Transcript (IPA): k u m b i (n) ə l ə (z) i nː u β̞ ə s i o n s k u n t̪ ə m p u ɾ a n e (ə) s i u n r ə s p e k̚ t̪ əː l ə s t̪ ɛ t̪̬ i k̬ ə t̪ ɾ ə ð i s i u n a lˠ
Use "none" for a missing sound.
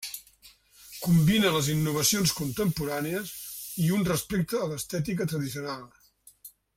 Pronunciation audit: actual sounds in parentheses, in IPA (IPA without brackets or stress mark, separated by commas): n, z, ə